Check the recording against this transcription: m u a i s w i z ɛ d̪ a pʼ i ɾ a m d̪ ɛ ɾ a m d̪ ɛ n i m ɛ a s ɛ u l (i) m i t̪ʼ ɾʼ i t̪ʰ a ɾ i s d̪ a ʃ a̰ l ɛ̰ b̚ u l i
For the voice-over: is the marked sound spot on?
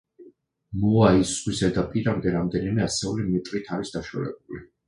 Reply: yes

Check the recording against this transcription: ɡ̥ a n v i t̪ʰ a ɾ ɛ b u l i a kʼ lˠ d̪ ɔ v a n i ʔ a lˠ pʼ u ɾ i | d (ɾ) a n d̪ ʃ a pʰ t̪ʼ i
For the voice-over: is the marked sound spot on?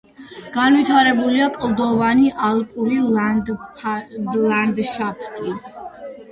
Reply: no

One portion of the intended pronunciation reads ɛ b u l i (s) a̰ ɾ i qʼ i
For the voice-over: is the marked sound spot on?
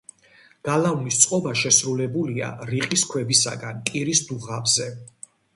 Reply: no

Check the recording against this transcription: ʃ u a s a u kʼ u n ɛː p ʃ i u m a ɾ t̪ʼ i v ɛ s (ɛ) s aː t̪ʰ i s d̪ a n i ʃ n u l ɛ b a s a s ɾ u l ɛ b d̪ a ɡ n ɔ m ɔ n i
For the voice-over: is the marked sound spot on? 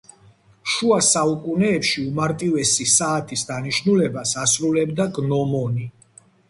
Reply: no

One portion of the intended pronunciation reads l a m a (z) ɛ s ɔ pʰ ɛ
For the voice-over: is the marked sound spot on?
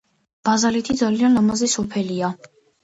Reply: yes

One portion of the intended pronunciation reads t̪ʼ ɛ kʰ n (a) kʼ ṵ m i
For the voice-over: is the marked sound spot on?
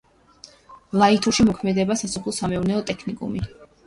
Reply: no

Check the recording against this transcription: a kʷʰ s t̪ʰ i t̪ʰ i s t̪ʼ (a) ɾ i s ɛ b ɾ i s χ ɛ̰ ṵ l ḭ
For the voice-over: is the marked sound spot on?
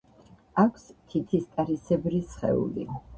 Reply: yes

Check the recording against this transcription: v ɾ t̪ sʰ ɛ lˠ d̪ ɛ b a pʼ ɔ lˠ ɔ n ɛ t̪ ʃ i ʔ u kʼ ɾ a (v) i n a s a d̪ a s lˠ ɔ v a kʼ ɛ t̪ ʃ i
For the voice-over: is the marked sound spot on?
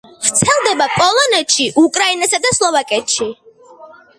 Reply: no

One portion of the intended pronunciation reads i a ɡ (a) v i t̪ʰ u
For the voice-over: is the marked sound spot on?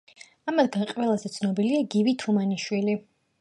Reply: no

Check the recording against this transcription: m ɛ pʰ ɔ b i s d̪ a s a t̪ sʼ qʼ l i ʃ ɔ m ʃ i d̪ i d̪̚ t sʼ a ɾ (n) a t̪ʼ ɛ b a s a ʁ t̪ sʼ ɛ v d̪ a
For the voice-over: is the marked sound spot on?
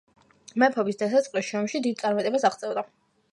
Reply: no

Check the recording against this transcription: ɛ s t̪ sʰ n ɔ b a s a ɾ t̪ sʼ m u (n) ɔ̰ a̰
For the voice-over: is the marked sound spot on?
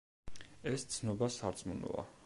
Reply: yes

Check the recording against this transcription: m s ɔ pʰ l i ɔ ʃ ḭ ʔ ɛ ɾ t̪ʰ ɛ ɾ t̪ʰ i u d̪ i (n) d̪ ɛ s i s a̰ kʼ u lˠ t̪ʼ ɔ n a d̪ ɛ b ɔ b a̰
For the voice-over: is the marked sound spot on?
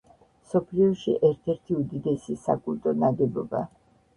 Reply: no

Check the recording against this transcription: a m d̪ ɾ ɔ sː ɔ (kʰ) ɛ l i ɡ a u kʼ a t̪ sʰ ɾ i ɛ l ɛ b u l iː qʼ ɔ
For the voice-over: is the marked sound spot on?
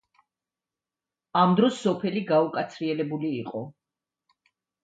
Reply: no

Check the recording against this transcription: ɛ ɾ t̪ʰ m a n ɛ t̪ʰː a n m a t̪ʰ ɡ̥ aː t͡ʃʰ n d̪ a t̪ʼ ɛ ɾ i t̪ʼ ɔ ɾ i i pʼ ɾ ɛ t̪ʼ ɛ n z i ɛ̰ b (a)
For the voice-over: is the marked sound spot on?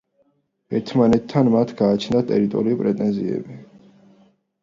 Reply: no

